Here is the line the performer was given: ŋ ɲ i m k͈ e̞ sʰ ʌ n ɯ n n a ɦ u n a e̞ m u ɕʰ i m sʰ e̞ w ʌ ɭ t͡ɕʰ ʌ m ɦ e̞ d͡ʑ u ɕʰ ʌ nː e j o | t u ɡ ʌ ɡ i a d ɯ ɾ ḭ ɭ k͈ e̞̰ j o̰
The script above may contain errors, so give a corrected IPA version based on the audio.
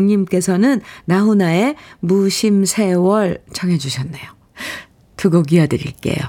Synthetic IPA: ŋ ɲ i m k͈ e̞ sʰ ʌ n ɯ n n a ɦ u n a e̞ m u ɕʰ i m sʰ e̞ w ʌ ɭ t͡ɕʰ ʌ ŋ ɦ e̞ d͡ʑ u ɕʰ ʌ nː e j o | t u ɡ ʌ ɡ i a d ɯ ɾ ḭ ɭ k͈ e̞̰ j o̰